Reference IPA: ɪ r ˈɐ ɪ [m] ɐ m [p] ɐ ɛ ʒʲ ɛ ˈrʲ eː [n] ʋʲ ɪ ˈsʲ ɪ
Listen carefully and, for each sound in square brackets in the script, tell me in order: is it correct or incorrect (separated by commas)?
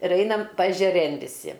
incorrect, correct, correct